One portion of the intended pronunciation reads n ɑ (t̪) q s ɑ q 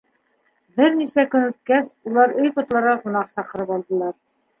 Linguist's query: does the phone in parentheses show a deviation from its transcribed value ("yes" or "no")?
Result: yes